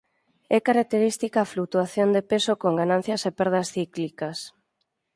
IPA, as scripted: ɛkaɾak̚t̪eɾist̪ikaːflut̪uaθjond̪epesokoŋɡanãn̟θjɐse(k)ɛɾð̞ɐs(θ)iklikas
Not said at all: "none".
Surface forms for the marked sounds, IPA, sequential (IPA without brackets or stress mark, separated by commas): p, θ